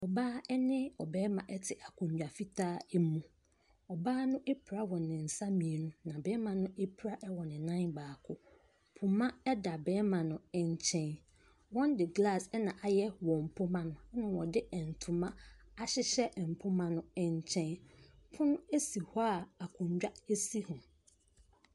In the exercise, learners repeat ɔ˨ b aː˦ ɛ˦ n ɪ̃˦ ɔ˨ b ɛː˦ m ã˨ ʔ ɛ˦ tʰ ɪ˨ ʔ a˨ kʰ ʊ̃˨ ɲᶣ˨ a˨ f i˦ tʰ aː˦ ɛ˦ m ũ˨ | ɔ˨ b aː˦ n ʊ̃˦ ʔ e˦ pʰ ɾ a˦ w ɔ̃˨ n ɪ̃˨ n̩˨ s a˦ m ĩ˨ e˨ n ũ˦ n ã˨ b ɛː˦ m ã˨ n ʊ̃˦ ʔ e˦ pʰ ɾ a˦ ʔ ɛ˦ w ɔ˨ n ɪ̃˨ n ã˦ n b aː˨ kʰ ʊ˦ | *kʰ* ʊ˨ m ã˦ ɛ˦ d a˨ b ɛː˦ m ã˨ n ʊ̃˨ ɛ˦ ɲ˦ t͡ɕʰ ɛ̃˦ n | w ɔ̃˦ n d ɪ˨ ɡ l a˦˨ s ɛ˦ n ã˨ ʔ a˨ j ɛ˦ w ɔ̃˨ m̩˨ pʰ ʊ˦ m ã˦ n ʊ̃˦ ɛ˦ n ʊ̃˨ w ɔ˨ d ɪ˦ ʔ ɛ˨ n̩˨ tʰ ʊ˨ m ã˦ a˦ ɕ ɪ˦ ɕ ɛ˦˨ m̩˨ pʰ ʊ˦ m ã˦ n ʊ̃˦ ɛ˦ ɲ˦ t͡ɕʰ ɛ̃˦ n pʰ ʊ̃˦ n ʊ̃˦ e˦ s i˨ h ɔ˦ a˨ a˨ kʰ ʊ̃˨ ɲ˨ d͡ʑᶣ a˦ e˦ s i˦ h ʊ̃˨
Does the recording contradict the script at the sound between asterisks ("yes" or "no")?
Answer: yes